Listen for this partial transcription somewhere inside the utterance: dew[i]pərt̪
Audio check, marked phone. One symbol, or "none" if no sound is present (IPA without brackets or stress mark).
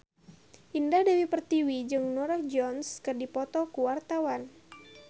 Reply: i